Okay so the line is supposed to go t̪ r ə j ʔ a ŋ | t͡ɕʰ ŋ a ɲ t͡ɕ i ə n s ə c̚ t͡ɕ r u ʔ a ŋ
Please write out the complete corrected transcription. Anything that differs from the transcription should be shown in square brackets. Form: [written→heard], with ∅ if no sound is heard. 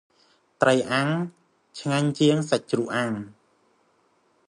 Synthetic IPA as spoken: t̪ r ə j ʔ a ŋ | t͡ɕʰ ŋ a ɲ t͡ɕ i ə [n→ŋ] s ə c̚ t͡ɕ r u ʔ a ŋ